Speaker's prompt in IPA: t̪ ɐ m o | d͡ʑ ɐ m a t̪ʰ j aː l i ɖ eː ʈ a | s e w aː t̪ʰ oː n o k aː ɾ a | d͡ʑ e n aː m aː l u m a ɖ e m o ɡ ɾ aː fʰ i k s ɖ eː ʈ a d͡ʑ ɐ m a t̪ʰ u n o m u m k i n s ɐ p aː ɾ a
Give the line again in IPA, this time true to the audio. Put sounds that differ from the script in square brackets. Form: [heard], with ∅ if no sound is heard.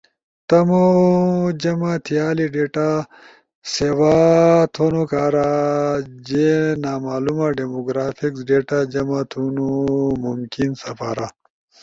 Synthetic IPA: t̪ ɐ m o | d͡ʑ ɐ m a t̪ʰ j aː l i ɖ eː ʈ a | s e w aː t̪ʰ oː n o k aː ɾ a | d͡ʑ e n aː m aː l u m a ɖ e m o ɡ ɾ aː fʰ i k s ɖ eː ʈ a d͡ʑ ɐ m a t̪ʰ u n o m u m k i n s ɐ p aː ɾ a